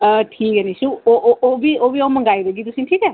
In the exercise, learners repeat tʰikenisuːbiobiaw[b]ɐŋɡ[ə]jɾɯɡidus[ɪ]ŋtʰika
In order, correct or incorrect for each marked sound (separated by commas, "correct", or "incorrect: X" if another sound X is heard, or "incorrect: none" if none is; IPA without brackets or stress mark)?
incorrect: m, incorrect: a, incorrect: i